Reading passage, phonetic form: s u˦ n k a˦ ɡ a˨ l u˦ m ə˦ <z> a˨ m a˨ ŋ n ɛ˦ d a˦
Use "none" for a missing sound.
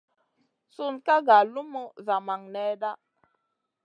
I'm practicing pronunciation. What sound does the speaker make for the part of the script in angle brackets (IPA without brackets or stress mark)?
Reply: z